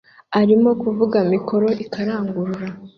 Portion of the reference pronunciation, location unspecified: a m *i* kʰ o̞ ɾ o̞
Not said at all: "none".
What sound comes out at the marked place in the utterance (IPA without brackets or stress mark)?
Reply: i